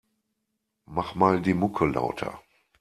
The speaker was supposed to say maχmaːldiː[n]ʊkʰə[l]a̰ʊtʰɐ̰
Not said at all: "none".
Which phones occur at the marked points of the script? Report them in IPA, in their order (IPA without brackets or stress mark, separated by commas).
m, l